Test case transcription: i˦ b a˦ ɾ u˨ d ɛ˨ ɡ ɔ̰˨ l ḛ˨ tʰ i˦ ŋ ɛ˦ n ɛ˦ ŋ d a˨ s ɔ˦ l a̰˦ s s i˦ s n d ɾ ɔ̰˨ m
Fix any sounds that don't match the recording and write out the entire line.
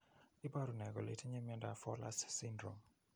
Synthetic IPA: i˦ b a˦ ɾ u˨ n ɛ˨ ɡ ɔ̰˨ l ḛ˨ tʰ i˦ ɲ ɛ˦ m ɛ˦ n d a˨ f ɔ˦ l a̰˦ s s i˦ n d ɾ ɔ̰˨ m